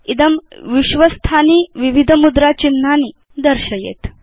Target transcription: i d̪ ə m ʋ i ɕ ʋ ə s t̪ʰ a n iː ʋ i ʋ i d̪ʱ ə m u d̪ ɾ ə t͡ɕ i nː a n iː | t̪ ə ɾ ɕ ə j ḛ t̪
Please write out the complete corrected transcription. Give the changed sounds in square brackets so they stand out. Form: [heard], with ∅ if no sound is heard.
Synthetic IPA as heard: i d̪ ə m ʋ i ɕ ʋ ə s t̪ʰ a n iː ʋ i ʋ i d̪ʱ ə m u d̪ ɾ [a] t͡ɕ i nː a n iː | [d̪] ə ɾ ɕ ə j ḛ t̪